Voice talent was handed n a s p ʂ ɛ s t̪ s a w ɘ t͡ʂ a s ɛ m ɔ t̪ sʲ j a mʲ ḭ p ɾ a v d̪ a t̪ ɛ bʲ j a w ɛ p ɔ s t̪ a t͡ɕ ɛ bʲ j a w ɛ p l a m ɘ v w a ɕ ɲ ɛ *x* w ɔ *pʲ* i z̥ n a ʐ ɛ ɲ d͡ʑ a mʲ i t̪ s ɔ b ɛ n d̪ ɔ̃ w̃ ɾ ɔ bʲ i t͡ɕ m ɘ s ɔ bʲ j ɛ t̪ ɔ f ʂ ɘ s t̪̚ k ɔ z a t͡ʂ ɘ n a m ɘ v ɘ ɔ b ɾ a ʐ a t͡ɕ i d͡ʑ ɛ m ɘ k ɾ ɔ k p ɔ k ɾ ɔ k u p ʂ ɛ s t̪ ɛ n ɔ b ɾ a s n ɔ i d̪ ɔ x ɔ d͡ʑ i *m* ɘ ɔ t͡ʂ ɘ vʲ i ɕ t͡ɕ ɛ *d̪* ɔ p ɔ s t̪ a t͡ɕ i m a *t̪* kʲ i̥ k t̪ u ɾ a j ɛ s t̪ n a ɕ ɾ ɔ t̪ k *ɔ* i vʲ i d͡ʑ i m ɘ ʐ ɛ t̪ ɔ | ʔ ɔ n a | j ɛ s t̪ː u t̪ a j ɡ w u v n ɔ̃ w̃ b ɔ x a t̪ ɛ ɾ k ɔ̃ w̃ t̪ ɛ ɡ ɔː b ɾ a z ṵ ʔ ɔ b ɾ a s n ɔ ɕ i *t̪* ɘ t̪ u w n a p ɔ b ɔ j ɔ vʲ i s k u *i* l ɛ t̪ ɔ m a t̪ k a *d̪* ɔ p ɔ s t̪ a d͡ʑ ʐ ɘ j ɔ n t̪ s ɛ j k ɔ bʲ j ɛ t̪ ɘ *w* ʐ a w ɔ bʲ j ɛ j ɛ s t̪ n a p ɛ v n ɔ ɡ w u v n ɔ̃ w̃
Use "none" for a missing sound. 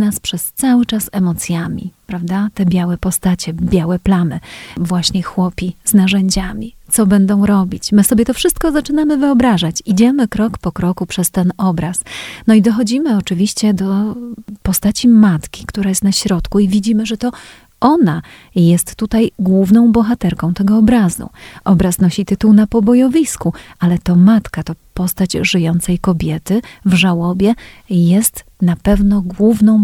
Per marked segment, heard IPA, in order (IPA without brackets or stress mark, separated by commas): x, pʲ, m, d̪, t̪, u, t̪, a, t̪, v